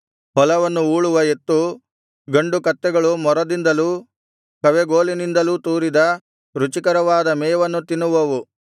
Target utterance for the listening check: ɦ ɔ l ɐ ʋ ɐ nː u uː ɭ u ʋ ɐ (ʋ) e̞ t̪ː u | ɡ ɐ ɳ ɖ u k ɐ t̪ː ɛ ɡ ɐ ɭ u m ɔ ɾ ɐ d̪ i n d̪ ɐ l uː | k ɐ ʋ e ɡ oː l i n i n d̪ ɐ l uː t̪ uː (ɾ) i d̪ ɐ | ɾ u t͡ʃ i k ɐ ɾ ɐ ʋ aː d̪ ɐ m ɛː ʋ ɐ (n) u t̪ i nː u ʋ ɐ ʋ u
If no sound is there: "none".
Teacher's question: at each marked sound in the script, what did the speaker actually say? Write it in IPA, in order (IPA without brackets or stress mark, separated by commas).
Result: none, ɾ, nː